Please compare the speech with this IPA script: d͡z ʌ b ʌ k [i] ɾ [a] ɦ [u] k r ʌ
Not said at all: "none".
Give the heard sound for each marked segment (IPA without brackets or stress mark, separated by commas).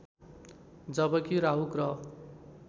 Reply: i, a, u